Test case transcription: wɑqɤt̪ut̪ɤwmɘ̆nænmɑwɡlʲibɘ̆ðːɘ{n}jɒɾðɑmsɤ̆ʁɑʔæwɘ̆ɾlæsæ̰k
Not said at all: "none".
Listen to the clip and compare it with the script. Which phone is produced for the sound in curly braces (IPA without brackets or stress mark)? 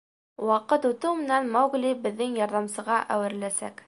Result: ŋ